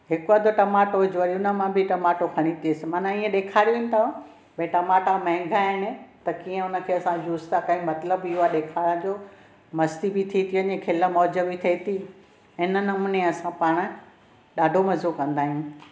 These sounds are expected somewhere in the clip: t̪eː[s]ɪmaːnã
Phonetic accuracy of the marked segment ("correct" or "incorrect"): correct